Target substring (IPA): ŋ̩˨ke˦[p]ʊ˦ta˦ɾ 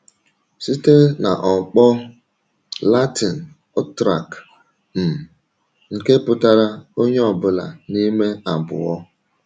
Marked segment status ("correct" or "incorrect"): correct